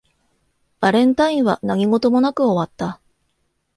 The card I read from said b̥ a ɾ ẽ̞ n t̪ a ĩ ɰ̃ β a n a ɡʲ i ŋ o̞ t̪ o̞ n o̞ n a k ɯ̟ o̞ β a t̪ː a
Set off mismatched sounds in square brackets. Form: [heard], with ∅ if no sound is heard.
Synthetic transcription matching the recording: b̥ a ɾ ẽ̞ n t̪ a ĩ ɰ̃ β a n a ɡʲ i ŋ o̞ t̪ o̞ [m] o̞ n a k ɯ̟ o̞ β a t̪ː a